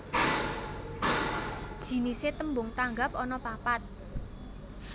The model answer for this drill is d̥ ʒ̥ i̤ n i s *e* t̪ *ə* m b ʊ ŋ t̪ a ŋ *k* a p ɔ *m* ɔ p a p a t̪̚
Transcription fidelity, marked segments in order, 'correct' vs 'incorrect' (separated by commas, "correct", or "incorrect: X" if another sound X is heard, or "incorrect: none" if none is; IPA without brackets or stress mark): correct, correct, incorrect: ɡ, incorrect: n